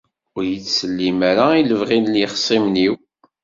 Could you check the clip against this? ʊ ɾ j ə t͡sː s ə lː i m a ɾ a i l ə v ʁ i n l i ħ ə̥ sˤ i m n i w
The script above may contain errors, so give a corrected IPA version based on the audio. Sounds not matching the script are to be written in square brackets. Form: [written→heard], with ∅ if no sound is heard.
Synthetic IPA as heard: ʊ ɾ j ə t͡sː s ə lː i m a ɾ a i l ə v ʁ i n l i [ħ→χ] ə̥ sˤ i m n i w